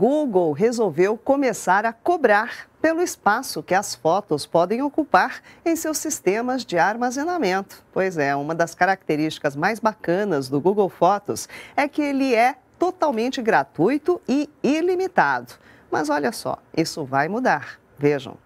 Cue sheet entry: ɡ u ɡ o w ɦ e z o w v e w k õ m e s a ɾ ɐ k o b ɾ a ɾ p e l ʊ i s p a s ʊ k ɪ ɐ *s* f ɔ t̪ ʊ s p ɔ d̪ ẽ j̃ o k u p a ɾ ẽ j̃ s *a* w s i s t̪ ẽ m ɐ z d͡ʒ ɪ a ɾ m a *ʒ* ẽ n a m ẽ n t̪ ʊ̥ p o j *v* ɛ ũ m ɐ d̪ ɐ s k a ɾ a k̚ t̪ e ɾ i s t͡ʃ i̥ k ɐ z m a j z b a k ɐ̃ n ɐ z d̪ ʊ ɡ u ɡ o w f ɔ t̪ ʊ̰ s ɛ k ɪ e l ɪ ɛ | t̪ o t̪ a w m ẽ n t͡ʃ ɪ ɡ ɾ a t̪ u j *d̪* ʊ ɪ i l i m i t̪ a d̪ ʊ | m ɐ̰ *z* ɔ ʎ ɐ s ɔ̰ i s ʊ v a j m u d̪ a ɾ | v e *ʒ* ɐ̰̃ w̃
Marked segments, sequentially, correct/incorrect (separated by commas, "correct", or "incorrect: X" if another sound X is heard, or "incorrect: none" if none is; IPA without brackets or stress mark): correct, incorrect: e, incorrect: z, incorrect: z, incorrect: t̪, correct, correct